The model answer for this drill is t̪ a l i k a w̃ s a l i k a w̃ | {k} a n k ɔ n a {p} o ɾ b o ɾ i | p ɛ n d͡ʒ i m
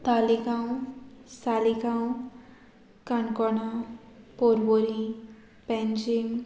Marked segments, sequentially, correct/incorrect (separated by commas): correct, correct